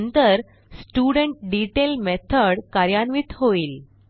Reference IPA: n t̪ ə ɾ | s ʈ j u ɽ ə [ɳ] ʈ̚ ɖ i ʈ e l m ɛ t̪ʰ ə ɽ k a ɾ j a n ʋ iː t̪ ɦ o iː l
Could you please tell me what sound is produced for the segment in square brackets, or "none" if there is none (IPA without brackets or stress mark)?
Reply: ɳ